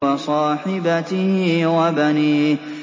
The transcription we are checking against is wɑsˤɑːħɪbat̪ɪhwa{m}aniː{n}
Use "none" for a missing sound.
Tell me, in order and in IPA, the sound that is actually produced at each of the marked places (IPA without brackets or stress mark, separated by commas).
b, none